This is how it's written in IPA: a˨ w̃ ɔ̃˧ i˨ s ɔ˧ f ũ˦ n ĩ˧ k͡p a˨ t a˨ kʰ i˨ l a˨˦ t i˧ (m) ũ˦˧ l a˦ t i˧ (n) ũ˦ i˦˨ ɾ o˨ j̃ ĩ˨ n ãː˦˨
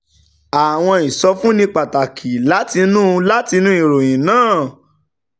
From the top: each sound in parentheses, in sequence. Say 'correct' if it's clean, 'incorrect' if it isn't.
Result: incorrect, correct

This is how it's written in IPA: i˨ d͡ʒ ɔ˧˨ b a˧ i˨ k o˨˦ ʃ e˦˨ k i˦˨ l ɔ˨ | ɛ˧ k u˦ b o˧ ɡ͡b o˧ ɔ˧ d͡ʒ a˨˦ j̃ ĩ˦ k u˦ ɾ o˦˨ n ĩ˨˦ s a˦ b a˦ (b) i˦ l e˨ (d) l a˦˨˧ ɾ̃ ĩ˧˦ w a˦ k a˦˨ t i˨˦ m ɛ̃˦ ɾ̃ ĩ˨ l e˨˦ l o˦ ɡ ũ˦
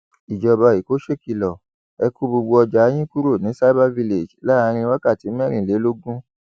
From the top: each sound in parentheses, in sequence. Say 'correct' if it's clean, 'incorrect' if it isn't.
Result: incorrect, incorrect

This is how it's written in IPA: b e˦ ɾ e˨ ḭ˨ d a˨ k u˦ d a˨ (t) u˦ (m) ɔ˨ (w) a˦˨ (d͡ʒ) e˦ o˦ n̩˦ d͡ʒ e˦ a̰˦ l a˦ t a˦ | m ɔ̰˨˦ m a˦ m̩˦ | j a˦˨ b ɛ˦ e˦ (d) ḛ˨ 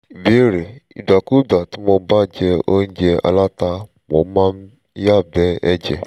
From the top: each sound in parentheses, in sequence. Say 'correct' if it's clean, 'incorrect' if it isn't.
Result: correct, correct, incorrect, correct, incorrect

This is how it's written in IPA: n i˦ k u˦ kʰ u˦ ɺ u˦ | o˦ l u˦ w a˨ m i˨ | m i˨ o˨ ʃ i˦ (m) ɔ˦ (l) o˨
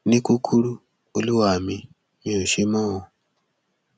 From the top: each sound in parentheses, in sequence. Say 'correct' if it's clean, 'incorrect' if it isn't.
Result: correct, incorrect

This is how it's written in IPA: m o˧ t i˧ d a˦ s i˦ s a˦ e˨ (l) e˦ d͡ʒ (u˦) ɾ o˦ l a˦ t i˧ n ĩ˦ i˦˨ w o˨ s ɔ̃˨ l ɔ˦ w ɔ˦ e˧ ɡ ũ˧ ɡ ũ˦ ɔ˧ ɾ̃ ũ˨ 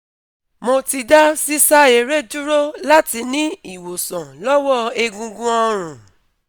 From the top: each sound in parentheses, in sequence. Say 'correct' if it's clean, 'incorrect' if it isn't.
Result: incorrect, correct

